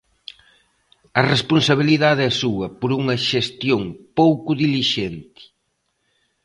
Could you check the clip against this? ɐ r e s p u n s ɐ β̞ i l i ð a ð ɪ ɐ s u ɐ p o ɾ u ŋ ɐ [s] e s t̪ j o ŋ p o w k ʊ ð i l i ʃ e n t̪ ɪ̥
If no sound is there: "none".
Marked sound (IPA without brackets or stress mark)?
ʃ